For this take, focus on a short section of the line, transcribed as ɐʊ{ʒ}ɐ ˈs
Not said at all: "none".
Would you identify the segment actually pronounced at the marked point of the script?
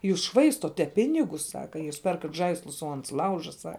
ʒ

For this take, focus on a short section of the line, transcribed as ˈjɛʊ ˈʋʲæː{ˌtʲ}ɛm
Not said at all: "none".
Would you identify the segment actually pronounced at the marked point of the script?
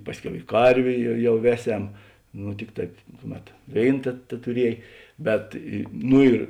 sʲ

